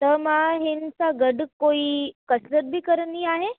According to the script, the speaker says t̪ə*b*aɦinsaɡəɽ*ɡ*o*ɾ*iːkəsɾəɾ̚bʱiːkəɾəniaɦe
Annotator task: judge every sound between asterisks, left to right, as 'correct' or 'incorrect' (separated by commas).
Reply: incorrect, incorrect, incorrect